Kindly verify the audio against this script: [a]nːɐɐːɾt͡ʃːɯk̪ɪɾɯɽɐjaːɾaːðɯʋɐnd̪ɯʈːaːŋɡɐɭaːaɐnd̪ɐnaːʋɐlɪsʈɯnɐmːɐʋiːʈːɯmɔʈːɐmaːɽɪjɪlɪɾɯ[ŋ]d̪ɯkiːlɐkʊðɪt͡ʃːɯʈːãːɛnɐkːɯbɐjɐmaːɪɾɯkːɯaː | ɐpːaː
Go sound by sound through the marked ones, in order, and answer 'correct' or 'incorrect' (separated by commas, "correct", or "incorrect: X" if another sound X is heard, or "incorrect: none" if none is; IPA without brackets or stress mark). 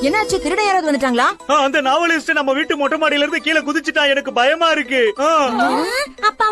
incorrect: ɛ, incorrect: n